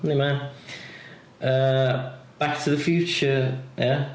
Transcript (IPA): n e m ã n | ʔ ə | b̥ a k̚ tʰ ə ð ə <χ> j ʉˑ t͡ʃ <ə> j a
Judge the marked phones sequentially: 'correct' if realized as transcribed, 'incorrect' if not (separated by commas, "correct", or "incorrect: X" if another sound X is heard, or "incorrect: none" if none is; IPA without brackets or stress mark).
incorrect: f, correct